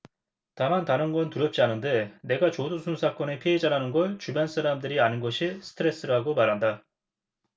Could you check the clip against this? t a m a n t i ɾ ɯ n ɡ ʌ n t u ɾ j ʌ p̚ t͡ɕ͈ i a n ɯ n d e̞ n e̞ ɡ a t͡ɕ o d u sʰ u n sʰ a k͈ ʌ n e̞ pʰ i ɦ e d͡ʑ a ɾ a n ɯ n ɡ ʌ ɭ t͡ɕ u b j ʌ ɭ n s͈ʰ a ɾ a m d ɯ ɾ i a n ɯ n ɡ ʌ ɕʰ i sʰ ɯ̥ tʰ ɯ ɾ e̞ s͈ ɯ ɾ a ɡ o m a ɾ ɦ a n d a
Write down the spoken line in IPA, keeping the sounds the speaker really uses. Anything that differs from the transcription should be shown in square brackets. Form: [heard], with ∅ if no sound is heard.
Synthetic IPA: t a m a n t [a] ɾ ɯ n ɡ ʌ n t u ɾ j ʌ p̚ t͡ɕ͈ i a n ɯ n d e̞ n e̞ ɡ a t͡ɕ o d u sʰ u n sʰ a k͈ ʌ n e̞ pʰ i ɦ e d͡ʑ a ɾ a n ɯ n ɡ ʌ ɭ t͡ɕ u b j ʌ [∅] n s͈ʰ a ɾ a m d ɯ ɾ i a n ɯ n ɡ ʌ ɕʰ i sʰ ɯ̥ tʰ ɯ ɾ e̞ s͈ ɯ ɾ a ɡ o m a ɾ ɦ a n d a